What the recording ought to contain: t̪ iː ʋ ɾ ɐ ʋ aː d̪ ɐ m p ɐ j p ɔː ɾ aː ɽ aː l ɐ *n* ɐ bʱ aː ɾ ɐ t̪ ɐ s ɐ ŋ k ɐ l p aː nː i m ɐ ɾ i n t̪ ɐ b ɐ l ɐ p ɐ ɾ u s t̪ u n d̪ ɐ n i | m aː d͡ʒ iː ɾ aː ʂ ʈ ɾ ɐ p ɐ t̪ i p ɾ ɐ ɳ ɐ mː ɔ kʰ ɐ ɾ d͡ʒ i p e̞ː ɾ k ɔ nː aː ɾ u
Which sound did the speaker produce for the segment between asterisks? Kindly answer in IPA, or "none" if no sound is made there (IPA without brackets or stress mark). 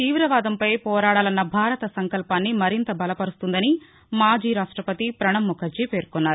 nː